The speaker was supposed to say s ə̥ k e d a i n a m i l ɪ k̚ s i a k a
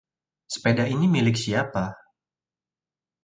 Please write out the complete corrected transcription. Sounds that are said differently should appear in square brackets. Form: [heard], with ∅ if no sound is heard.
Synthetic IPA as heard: s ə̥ [p] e d a i n [i] m i l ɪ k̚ s i a [p] a